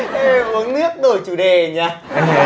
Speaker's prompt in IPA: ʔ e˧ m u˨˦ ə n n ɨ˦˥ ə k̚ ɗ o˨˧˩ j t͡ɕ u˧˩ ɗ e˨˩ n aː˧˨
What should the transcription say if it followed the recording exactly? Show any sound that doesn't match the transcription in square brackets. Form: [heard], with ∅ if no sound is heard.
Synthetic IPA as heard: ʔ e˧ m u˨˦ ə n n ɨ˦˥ ə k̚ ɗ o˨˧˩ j t͡ɕ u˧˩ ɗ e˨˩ [ɲ] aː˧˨